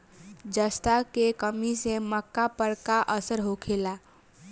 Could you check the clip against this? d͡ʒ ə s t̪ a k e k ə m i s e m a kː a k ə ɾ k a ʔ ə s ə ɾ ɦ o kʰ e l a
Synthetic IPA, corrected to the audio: d͡ʒ ə s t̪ a k e k ə m i s e m ə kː a p ə ɾ k a ʔ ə s ə ɾ ɦ o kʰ e l a